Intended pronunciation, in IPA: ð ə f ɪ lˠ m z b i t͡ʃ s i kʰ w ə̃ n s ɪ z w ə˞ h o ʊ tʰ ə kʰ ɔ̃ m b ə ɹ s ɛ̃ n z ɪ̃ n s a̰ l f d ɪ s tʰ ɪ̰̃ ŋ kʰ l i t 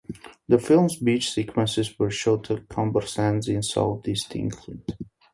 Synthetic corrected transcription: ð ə f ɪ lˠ m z b i t͡ʃ s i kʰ w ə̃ n s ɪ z w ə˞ ʃ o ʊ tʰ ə kʰ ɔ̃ m b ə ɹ s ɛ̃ n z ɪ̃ n s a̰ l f d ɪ s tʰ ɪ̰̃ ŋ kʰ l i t